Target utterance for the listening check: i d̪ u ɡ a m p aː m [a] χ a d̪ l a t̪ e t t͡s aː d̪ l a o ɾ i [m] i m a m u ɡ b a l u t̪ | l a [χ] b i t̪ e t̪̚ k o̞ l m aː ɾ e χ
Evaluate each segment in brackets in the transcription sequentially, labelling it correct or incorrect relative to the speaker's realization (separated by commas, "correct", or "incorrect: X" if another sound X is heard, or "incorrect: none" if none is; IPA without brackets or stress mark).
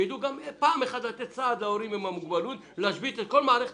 incorrect: e, correct, incorrect: ʃ